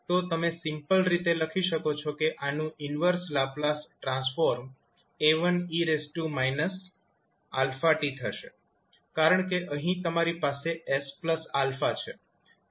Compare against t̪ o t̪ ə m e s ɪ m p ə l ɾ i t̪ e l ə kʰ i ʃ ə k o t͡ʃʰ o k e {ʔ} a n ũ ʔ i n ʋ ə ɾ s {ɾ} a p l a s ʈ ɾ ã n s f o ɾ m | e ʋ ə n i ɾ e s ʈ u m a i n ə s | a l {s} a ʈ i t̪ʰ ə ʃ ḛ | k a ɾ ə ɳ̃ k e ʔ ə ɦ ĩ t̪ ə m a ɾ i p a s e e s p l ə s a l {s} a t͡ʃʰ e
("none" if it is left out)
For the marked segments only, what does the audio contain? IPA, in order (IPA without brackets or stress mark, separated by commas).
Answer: ʔ, l, f, f